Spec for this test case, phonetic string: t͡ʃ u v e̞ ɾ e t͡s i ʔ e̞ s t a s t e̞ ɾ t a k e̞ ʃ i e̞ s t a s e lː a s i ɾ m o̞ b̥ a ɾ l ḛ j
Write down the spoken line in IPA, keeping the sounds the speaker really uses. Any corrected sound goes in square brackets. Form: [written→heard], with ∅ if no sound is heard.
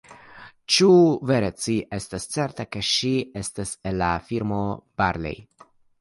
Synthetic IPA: t͡ʃ u v e̞ ɾ e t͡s i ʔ e̞ s t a s [t→t͡s] e̞ ɾ t a k e̞ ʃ i e̞ s t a s e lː a [s→f] i ɾ m o̞ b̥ a ɾ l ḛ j